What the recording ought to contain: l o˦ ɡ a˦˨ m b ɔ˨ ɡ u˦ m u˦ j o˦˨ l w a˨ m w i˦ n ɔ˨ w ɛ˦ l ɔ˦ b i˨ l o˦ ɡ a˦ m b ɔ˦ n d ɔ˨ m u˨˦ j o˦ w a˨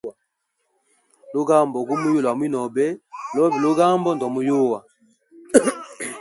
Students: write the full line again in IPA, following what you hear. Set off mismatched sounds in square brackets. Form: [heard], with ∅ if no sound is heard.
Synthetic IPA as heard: l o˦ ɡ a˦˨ m b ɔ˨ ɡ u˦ m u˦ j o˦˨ l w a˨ m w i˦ n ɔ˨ [b] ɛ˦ l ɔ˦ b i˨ l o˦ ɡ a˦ m b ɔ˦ n d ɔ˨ m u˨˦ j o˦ w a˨